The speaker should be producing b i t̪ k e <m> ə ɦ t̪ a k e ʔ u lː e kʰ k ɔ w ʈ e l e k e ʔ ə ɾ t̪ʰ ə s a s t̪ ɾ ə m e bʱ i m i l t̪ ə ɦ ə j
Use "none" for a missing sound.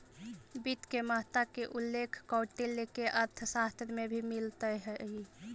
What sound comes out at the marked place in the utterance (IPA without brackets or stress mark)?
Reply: m